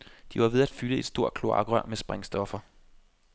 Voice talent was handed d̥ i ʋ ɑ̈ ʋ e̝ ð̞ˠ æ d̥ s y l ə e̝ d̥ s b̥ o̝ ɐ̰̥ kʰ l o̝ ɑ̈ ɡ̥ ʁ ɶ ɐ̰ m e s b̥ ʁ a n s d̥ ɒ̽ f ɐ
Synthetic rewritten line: d̥ i ʋ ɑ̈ ʋ e̝ ð̞ˠ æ d̥ f y l ə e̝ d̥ s d̥ o̝ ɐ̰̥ kʰ l o̝ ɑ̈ ɡ̥ ʁ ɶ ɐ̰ m e s b̥ ʁ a ŋ s d̥ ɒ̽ f ɐ